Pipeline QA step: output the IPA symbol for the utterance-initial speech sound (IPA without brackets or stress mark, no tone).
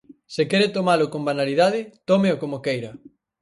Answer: s